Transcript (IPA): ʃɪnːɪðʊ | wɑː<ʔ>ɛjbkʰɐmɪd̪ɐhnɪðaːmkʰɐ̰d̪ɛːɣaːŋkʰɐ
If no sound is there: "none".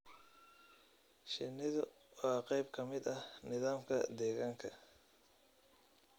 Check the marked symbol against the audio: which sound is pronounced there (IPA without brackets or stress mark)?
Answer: q